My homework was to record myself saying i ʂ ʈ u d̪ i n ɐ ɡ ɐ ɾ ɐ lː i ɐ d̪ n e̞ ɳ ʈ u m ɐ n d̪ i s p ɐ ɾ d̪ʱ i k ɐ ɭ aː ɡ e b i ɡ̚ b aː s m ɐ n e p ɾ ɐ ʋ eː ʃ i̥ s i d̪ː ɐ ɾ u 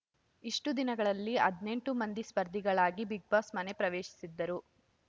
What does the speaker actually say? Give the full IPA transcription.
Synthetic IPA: i ʂ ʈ u d̪ i n ɐ ɡ ɐ ɭ ɐ lː i ɐ d̪ n e̞ ɳ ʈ u m ɐ n d̪ i s p ɐ ɾ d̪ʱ i ɡ ɐ ɭ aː ɡ i b i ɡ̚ b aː s m ɐ n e p ɾ ɐ ʋ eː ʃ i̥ s i d̪ː ɐ ɾ u